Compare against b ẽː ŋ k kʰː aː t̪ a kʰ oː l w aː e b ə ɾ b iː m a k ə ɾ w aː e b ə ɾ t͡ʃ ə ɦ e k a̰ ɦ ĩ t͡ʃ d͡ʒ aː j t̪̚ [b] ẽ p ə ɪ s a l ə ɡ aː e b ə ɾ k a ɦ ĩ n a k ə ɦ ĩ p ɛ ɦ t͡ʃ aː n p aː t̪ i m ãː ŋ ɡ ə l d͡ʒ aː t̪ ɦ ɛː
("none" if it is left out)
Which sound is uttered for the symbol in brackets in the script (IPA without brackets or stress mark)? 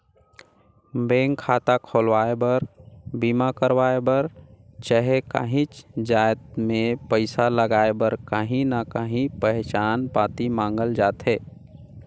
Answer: m